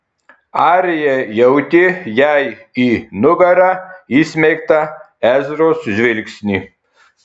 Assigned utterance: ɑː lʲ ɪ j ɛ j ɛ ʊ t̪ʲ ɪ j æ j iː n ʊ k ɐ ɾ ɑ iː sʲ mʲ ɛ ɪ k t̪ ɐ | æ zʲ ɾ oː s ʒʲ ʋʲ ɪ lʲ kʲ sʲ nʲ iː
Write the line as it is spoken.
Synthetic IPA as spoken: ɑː ɾʲ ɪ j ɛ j ɛ ʊ t̪ʲ ɪ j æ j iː n ʊ ɡ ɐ ɾ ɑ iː sʲ mʲ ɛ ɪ k t̪ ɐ | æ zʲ ɾ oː s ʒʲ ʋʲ ɪ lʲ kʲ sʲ nʲ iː